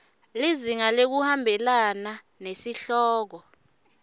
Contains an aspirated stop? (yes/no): no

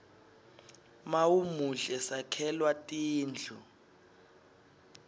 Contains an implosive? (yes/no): no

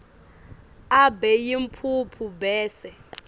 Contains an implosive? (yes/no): no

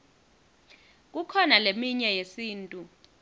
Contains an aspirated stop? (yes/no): yes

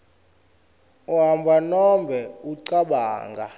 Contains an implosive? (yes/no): yes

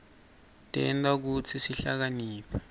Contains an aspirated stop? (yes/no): yes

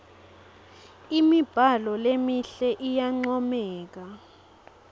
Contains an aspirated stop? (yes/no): no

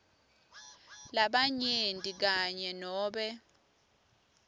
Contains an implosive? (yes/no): yes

